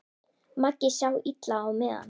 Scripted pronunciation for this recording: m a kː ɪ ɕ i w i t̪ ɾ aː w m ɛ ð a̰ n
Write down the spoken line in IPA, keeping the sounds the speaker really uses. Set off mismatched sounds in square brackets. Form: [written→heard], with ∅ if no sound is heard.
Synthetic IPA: m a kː ɪ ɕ [i→a] w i t̪ [ɾ→l] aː w m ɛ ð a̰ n